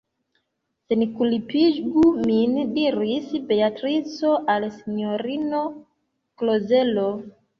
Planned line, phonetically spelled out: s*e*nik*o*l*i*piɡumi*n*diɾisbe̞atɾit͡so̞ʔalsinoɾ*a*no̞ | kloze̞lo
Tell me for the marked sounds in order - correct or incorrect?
correct, incorrect, correct, correct, incorrect

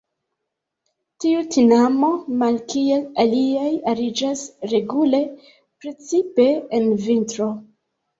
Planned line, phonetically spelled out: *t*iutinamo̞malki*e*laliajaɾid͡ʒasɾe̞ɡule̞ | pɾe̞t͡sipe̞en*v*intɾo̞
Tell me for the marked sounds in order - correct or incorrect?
correct, correct, correct

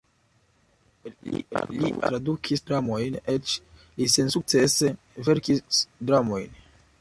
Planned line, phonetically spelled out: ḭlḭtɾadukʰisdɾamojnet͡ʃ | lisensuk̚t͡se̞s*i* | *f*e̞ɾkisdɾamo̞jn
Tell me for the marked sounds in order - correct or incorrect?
incorrect, incorrect

